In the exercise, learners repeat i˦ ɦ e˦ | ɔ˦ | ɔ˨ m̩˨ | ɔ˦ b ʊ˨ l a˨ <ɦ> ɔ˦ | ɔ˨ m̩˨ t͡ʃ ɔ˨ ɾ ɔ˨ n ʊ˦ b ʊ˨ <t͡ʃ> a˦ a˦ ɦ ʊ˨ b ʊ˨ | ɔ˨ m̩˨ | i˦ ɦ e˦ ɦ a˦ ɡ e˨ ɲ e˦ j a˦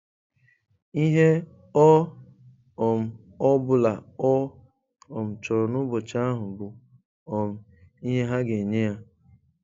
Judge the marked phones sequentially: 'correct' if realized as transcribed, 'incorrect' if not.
incorrect, correct

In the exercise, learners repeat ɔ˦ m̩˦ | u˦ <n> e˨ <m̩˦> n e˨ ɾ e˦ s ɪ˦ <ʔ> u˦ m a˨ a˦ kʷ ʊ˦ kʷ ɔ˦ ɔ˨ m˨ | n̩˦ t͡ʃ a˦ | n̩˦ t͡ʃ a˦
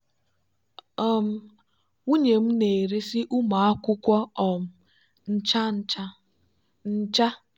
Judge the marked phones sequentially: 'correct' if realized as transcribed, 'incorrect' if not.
incorrect, correct, correct

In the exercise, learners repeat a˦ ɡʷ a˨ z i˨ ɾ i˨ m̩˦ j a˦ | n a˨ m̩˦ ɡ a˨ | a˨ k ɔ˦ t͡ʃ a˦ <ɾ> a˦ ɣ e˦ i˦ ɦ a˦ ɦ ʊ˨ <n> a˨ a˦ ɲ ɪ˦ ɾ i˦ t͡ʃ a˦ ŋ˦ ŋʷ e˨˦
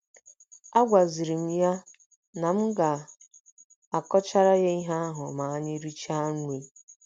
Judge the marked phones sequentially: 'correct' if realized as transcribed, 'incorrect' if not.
correct, incorrect

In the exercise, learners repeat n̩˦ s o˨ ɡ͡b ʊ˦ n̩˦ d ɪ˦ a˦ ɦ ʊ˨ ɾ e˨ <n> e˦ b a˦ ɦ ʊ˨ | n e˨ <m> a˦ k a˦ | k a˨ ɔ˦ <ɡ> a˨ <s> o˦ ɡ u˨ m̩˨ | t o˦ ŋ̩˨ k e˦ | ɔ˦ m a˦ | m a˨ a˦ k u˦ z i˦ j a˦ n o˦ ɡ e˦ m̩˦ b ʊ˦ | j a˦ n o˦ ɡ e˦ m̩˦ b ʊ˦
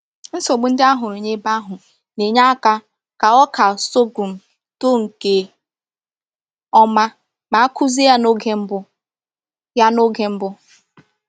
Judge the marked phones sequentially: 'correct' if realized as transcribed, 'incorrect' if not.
incorrect, incorrect, incorrect, correct

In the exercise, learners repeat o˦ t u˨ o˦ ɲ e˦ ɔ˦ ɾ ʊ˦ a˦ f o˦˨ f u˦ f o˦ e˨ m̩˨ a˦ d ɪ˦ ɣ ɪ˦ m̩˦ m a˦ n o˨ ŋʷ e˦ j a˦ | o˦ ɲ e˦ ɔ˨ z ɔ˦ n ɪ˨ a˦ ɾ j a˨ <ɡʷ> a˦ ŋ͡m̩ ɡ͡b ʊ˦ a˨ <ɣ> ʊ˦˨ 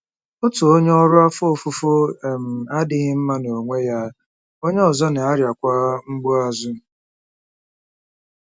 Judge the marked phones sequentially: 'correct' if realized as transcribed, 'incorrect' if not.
incorrect, incorrect

